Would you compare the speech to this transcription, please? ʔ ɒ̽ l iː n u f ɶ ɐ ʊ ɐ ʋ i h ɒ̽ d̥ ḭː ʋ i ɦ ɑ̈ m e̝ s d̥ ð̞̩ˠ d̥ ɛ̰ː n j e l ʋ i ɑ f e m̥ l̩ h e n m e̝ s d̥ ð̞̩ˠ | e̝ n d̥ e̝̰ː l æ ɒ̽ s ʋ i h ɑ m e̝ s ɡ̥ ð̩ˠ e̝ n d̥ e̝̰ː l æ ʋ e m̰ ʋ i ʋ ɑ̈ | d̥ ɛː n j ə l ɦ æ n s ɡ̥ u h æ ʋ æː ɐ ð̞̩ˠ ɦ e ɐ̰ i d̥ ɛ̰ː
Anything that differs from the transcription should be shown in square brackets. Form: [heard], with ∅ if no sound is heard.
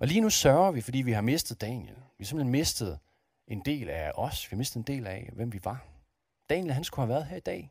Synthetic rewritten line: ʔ ɒ̽ l iː n u [s] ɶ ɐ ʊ ɐ ʋ i [f] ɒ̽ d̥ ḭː ʋ i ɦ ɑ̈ m e̝ s d̥ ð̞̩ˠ d̥ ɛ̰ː n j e l ʋ i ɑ [s] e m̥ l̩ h e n m e̝ s d̥ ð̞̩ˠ | e̝ n d̥ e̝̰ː l æ ɒ̽ s ʋ i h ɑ m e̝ s [d̥] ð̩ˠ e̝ n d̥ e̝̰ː l æ ʋ e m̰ ʋ i ʋ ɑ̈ | d̥ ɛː n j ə l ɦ æ n s ɡ̥ u h æ ʋ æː ɐ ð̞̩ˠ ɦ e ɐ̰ i d̥ ɛ̰ː